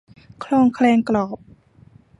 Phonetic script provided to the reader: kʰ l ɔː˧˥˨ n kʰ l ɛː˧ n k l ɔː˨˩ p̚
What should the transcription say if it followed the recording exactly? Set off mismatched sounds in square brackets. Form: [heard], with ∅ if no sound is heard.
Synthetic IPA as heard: kʰ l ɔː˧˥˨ [ŋ] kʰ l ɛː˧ [ŋ] k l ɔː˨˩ p̚